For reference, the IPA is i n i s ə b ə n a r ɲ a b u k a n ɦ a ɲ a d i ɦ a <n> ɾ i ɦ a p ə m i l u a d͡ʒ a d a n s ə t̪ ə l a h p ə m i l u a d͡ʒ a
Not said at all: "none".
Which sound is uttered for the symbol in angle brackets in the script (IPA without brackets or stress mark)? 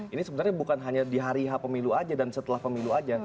none